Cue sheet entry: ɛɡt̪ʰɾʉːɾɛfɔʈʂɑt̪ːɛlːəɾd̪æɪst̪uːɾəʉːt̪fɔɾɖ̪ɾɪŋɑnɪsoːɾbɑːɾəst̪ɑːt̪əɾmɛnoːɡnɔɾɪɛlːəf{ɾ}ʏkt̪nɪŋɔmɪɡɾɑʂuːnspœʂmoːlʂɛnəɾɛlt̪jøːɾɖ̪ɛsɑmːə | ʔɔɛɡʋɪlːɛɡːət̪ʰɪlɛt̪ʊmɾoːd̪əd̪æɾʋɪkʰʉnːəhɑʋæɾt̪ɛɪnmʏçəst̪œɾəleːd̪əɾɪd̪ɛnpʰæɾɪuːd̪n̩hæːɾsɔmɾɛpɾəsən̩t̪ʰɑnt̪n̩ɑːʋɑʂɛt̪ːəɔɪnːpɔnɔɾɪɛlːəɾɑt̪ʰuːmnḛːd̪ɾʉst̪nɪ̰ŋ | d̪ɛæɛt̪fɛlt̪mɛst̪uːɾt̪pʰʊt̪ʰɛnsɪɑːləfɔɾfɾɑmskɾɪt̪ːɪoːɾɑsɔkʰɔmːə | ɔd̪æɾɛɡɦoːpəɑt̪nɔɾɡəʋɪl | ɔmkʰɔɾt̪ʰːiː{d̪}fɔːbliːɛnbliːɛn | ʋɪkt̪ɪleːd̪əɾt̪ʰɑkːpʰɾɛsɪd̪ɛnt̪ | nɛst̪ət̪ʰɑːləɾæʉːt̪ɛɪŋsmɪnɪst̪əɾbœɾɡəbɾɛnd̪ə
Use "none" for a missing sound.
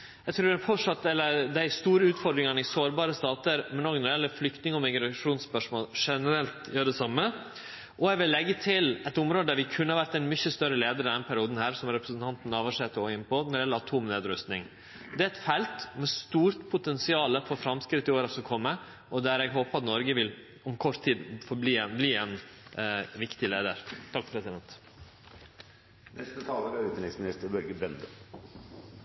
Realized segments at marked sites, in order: l, d̪

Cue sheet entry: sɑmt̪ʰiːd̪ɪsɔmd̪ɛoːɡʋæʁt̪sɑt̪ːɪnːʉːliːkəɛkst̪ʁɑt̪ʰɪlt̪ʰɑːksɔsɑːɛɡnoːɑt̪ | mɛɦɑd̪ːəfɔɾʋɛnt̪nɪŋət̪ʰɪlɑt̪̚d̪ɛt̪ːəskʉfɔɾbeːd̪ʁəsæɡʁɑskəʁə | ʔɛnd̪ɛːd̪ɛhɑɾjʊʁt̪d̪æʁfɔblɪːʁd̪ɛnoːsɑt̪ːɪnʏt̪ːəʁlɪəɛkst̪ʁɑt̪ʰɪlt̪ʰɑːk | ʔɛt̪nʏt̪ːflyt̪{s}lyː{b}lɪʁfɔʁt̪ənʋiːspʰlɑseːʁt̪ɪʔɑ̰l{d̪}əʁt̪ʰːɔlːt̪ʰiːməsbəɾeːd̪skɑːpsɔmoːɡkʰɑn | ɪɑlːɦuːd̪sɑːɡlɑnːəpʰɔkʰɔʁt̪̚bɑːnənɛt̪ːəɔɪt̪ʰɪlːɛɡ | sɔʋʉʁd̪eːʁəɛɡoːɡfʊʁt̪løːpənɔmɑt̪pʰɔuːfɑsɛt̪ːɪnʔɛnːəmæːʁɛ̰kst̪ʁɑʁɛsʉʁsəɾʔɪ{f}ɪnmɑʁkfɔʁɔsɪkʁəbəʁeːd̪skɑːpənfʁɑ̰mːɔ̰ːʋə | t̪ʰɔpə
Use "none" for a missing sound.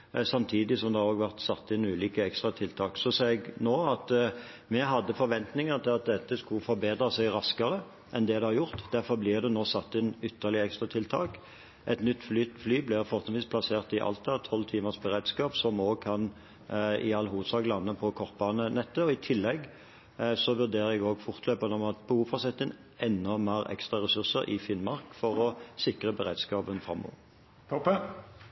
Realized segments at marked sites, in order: f, b, t̪, f

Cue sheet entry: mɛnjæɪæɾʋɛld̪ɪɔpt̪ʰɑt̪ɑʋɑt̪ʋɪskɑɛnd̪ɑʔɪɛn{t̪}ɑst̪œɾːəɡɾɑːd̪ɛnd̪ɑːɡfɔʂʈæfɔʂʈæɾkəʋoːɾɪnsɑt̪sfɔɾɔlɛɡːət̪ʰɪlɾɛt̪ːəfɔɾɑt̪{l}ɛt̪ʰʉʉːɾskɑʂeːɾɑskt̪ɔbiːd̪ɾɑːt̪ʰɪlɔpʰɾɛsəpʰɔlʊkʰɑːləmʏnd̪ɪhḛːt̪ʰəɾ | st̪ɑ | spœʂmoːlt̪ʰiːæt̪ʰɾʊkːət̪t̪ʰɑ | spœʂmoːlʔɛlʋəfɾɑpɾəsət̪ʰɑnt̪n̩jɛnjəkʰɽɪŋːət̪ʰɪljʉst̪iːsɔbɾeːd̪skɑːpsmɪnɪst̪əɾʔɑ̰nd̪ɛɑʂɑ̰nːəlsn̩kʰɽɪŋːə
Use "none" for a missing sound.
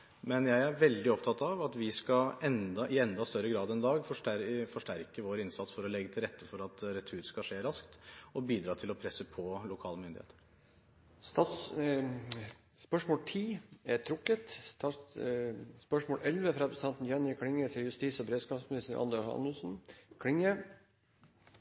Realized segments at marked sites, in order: d̪, ɾ

